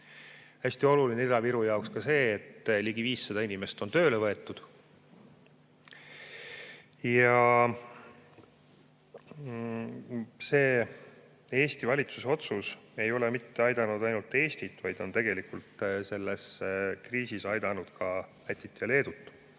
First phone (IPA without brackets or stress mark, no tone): h